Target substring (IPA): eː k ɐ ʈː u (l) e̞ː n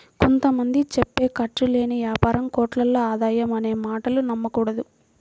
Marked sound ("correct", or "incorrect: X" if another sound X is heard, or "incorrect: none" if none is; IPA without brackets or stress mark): correct